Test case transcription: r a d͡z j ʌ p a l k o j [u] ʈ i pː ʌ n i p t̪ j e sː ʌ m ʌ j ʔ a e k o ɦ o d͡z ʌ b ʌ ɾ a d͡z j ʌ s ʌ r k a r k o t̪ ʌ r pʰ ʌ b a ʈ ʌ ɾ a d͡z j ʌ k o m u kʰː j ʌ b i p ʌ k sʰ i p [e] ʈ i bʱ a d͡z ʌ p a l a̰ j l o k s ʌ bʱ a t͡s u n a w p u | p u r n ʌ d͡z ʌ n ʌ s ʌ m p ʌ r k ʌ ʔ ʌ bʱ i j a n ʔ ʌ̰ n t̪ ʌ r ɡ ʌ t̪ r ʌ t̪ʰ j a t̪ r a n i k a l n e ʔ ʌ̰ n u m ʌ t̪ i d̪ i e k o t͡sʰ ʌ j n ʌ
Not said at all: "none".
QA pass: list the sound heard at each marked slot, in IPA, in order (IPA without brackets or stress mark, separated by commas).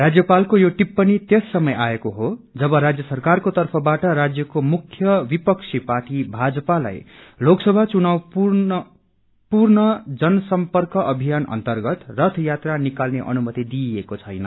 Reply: o, a